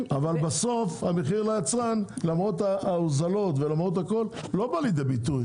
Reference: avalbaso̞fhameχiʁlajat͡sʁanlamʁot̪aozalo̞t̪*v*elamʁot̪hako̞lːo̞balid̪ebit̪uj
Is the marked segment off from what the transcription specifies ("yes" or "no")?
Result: no